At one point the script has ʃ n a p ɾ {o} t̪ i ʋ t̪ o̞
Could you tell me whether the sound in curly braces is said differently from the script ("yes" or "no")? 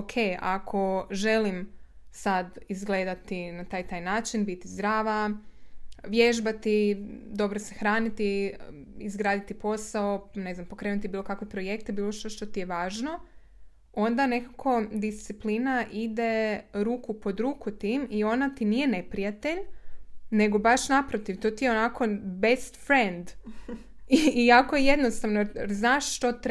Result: no